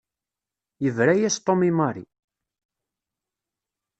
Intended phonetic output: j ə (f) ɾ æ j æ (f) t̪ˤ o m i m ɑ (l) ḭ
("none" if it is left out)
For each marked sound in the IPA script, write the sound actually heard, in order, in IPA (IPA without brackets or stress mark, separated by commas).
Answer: v, s, ɾ